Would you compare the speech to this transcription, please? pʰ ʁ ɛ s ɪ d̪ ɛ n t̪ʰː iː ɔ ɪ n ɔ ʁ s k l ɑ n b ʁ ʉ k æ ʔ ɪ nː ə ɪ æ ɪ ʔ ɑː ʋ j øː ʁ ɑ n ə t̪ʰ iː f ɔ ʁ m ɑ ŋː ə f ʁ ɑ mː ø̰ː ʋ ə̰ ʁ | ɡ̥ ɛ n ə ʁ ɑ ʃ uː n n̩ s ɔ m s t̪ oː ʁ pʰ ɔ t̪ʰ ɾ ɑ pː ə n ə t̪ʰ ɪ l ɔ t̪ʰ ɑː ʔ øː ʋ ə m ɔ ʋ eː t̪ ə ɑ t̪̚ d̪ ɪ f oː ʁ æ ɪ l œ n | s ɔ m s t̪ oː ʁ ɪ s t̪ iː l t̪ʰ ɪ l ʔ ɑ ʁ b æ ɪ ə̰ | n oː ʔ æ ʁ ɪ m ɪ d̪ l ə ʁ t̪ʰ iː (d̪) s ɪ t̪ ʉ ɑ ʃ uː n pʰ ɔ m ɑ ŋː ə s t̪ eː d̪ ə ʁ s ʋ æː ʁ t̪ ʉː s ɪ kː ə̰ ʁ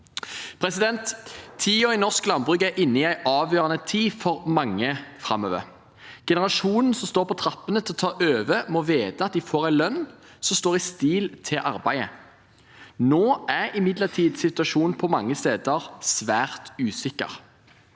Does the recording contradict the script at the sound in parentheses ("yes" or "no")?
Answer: no